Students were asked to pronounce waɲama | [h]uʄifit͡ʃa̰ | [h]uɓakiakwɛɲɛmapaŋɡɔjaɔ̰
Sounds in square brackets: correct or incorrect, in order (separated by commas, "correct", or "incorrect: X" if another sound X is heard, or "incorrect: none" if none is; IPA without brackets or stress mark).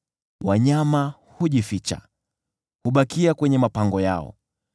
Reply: correct, correct